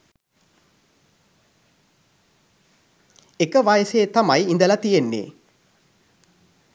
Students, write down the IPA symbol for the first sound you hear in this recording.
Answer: e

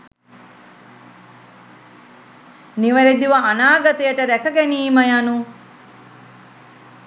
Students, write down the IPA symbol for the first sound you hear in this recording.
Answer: n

